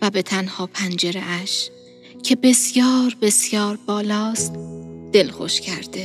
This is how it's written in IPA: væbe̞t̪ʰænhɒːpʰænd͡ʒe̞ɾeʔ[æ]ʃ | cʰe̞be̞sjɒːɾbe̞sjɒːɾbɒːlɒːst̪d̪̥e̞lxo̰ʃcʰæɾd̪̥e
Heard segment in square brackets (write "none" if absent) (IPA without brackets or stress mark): æ